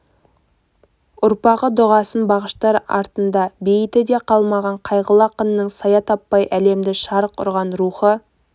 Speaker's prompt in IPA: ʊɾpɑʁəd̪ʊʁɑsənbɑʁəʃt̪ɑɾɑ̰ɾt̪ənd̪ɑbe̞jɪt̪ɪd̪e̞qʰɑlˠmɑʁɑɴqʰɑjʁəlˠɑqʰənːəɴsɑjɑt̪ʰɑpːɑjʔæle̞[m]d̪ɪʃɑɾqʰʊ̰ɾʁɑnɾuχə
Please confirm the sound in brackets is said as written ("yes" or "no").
yes